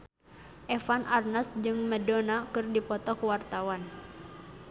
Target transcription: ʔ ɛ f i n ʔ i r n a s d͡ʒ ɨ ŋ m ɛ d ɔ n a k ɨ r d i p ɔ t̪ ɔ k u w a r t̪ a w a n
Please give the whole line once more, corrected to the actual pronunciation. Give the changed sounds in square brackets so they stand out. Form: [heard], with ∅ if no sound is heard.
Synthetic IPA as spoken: ʔ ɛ f [a] n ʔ [a] r n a s d͡ʒ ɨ ŋ m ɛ d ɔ n a k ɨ r d i p ɔ t̪ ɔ k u w a r t̪ a w a n